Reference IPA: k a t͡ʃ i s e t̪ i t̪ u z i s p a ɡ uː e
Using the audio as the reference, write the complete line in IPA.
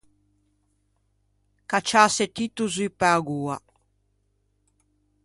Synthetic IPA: k a t͡ʃ a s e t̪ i t̪ u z i p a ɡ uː a